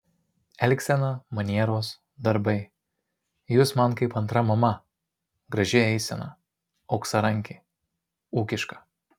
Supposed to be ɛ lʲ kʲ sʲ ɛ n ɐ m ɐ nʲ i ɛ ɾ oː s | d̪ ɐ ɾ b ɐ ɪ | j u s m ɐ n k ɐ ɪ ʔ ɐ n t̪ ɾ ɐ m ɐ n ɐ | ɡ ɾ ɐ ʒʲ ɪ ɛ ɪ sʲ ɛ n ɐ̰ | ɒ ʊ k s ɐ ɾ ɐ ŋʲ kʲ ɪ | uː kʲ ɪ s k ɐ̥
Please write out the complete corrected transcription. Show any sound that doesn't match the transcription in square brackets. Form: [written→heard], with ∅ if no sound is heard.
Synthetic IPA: ɛ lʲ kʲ sʲ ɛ n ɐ m ɐ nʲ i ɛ ɾ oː s | d̪ ɐ ɾ b ɐ ɪ | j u s m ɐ n k ɐ ɪ [ʔ→p] ɐ n t̪ ɾ ɐ m ɐ [n→m] ɐ | ɡ ɾ ɐ ʒʲ ɪ ɛ ɪ sʲ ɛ n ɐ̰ | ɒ ʊ k s ɐ ɾ ɐ ŋʲ kʲ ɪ | uː kʲ ɪ [s→ʃ] k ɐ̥

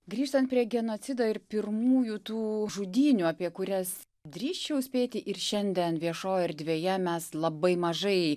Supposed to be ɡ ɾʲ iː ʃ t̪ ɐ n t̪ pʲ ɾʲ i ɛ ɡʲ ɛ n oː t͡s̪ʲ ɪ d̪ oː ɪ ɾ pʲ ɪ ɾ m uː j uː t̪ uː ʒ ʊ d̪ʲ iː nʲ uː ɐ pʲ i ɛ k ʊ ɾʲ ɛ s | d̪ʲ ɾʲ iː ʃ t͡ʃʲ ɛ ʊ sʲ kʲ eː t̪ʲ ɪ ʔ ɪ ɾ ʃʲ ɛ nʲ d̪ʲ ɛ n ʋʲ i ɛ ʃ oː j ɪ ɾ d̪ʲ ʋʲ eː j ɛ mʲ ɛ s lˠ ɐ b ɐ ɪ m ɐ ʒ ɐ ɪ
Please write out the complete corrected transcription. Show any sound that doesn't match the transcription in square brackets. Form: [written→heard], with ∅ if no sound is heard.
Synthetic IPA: ɡ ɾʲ iː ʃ t̪ ɐ n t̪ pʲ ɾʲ i ɛ ɡʲ ɛ n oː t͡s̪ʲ ɪ d̪ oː ɪ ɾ pʲ ɪ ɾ m uː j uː t̪ uː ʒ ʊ d̪ʲ iː nʲ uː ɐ pʲ i ɛ k ʊ ɾʲ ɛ s | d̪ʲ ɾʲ iː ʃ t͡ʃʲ ɛ ʊ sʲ [kʲ→pʲ] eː t̪ʲ ɪ ʔ ɪ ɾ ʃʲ ɛ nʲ d̪ʲ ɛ n ʋʲ i ɛ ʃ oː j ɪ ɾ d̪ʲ ʋʲ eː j ɛ mʲ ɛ s lˠ ɐ b ɐ ɪ m ɐ ʒ ɐ ɪ

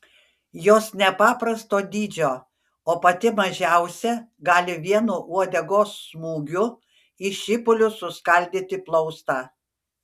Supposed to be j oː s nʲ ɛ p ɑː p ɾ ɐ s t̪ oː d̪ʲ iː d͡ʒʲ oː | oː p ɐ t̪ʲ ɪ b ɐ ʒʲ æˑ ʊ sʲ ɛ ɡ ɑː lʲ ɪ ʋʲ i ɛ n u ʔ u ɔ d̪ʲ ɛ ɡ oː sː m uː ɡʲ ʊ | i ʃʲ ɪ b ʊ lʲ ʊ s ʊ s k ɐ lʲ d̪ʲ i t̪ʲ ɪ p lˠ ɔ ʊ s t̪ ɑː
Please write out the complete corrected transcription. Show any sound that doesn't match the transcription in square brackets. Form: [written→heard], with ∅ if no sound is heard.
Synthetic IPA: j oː s nʲ ɛ p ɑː p ɾ ɐ s t̪ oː d̪ʲ iː d͡ʒʲ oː | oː p ɐ t̪ʲ ɪ [b→m] ɐ ʒʲ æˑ ʊ sʲ ɛ ɡ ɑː lʲ ɪ ʋʲ i ɛ n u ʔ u ɔ d̪ʲ ɛ ɡ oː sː m uː ɡʲ ʊ | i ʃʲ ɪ [b→p] ʊ lʲ ʊ s ʊ s k ɐ lʲ d̪ʲ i t̪ʲ ɪ p lˠ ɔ ʊ s t̪ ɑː

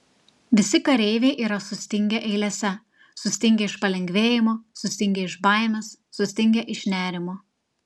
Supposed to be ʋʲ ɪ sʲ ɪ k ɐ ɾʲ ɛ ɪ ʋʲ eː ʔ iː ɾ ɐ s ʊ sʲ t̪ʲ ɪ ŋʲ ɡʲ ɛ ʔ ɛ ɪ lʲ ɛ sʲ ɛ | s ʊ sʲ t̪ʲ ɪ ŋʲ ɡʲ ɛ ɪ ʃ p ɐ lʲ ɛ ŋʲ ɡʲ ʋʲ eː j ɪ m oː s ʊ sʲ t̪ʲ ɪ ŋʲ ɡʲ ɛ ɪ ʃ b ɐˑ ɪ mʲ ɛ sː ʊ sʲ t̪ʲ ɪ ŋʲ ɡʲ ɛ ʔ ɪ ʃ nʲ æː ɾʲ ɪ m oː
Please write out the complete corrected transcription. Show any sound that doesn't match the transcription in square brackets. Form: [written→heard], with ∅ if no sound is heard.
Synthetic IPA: ʋʲ ɪ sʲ ɪ k ɐ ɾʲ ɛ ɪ ʋʲ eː ʔ iː ɾ ɐ s ʊ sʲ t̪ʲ ɪ ŋʲ ɡʲ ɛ ʔ ɛ ɪ lʲ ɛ sʲ ɛ | s ʊ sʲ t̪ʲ ɪ ŋʲ ɡʲ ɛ ɪ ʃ p ɐ lʲ ɛ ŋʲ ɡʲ ʋʲ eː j ɪ m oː s ʊ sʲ t̪ʲ ɪ ŋʲ ɡʲ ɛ ɪ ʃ b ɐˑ ɪ mʲ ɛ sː ʊ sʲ t̪ʲ ɪ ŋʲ ɡʲ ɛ ʔ ɪ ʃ nʲ æː ɾʲ ɪ m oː

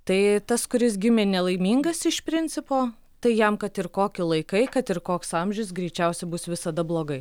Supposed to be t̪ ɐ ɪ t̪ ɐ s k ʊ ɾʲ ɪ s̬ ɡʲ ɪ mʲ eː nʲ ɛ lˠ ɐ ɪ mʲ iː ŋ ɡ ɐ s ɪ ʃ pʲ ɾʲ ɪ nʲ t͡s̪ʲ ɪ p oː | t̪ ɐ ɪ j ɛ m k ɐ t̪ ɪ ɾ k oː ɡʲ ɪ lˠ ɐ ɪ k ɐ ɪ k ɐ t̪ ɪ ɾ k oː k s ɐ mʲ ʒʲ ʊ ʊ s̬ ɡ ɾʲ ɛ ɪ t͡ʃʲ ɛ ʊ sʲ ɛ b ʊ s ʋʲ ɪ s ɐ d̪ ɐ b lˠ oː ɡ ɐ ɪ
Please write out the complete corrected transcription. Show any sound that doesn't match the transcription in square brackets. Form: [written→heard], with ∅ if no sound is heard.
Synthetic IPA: t̪ ɐ ɪ t̪ ɐ s k ʊ ɾʲ ɪ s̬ ɡʲ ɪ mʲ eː nʲ ɛ lˠ ɐ ɪ mʲ iː ŋ ɡ ɐ s ɪ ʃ pʲ ɾʲ ɪ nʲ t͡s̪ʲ ɪ p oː | t̪ ɐ ɪ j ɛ m k ɐ t̪ ɪ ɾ k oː [ɡʲ→kʲ] ɪ lˠ ɐ ɪ k ɐ ɪ k ɐ t̪ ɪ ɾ k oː k s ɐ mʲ ʒʲ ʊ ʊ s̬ ɡ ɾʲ ɛ ɪ t͡ʃʲ ɛ ʊ sʲ ɛ b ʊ s ʋʲ ɪ s ɐ d̪ ɐ b lˠ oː ɡ ɐ ɪ

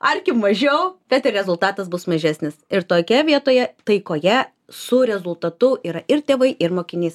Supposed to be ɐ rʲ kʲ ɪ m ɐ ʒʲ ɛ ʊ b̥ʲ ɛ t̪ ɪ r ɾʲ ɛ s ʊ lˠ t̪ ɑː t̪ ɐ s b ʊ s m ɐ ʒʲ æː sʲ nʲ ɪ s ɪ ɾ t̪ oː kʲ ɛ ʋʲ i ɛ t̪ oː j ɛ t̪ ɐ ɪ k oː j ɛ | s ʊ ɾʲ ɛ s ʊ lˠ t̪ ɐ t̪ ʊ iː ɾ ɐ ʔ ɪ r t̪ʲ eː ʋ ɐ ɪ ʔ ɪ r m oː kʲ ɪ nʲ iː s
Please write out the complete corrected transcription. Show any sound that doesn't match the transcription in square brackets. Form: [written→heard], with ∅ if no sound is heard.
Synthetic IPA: ɐ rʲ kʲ ɪ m ɐ ʒʲ ɛ ʊ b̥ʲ ɛ t̪ ɪ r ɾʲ ɛ [s→z] ʊ lˠ t̪ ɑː t̪ ɐ s b ʊ s m ɐ ʒʲ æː sʲ nʲ ɪ s ɪ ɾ t̪ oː kʲ ɛ ʋʲ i ɛ t̪ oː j ɛ t̪ ɐ ɪ k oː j ɛ | s ʊ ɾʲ ɛ [s→z] ʊ lˠ t̪ ɐ t̪ ʊ iː ɾ ɐ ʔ ɪ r t̪ʲ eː ʋ ɐ ɪ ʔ ɪ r m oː kʲ ɪ nʲ iː s

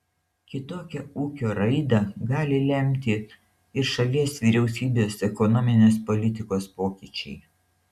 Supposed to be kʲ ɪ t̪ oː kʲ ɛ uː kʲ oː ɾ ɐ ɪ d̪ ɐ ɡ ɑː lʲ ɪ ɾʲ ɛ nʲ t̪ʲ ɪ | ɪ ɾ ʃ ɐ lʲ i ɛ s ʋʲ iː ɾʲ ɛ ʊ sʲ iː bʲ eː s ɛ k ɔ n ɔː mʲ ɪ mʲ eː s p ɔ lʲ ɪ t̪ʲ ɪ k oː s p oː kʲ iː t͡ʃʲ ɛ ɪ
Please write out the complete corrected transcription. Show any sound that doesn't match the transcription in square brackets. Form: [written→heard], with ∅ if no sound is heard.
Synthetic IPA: kʲ ɪ t̪ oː kʲ ɛ uː kʲ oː ɾ ɐ ɪ d̪ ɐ ɡ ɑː lʲ ɪ [ɾʲ→lʲ] ɛ [nʲ→mʲ] t̪ʲ ɪ | ɪ ɾ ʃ ɐ lʲ i ɛ s ʋʲ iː ɾʲ ɛ ʊ sʲ iː bʲ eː s ɛ k ɔ n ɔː mʲ ɪ [mʲ→nʲ] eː s p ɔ lʲ ɪ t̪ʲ ɪ k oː s p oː kʲ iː t͡ʃʲ ɛ ɪ

